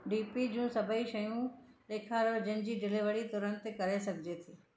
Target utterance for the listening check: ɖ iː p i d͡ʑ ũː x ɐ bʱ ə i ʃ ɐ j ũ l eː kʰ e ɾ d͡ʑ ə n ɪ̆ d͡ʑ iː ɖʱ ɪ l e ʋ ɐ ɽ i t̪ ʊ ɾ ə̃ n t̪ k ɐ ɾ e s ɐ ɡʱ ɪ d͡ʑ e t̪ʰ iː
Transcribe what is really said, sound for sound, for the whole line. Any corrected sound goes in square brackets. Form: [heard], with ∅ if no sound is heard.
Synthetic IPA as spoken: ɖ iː p i d͡ʑ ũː [s] ɐ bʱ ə i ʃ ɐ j ũ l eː kʰ [a] ɾ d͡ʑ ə n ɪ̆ d͡ʑ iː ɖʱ ɪ l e ʋ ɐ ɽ i t̪ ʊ ɾ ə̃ n t̪ k ɐ ɾ e s ɐ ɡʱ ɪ d͡ʑ e t̪ʰ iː